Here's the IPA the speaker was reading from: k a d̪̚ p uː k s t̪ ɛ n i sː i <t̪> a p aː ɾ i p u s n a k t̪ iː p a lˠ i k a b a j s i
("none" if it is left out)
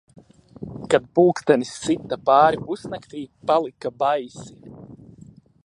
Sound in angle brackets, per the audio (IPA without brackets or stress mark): t̪